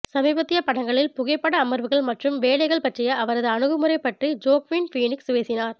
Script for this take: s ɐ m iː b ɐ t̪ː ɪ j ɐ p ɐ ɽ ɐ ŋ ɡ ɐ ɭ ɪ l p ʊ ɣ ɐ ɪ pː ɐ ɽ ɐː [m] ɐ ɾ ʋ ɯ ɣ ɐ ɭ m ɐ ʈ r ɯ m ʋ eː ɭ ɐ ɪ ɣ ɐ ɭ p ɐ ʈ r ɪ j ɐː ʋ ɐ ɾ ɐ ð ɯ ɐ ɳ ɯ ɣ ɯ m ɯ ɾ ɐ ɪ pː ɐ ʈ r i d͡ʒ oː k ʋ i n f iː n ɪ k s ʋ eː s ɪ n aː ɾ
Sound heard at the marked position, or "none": m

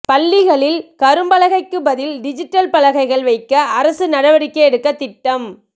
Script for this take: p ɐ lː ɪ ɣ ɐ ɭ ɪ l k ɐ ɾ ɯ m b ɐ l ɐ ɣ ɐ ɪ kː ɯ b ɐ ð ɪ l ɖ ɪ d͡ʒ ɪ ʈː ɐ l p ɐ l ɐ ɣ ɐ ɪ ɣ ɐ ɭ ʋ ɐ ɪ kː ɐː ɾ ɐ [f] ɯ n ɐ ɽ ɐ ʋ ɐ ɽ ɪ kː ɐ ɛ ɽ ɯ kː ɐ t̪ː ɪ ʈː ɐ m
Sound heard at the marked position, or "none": s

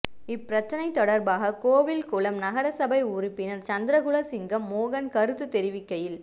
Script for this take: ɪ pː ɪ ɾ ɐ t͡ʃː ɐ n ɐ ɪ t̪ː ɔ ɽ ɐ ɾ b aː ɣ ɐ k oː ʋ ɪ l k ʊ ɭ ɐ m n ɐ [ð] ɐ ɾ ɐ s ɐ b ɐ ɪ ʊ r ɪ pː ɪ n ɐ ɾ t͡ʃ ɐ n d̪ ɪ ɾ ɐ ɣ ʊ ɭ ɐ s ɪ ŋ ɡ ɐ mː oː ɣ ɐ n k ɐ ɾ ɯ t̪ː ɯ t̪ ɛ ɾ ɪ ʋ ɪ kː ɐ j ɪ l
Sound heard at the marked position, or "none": ɣ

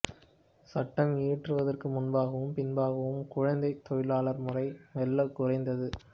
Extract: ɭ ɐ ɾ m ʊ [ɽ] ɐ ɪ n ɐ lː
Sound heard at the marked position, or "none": r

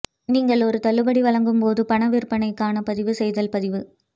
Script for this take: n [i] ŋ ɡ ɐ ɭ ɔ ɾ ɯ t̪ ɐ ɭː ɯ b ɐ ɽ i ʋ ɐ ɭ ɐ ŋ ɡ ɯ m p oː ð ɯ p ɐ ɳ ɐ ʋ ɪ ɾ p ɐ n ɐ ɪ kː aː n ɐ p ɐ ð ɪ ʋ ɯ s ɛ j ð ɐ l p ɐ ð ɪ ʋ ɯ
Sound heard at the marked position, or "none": iː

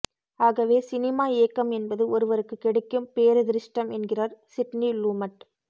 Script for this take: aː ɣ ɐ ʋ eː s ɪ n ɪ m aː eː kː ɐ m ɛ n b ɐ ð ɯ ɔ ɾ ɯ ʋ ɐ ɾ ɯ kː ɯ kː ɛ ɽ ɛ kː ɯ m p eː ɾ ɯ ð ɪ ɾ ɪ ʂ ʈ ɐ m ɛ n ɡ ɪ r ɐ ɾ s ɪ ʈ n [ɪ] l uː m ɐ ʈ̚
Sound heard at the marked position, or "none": i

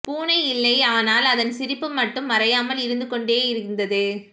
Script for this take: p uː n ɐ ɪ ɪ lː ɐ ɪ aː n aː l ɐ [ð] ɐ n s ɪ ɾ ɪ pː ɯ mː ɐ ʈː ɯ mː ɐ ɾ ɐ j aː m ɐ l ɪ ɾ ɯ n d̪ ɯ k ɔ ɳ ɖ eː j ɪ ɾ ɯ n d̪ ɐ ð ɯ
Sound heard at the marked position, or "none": ð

